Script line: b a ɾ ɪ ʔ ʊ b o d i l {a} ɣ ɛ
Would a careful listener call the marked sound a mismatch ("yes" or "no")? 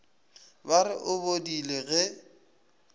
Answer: yes